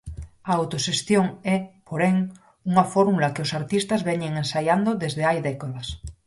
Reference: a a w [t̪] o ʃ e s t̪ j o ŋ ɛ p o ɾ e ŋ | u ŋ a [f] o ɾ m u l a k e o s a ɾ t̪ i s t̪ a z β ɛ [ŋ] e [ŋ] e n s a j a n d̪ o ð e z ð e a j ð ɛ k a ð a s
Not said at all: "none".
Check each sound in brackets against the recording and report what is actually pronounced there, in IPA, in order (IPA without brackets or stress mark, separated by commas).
t̪, f, ɲ, ŋ